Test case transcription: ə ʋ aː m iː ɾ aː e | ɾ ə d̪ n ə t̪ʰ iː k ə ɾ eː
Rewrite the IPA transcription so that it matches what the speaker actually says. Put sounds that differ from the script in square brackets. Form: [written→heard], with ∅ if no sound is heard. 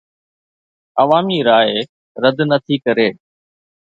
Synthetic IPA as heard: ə ʋ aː m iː ɾ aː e | ɾ ə d̪ n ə t̪ʰ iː k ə ɾ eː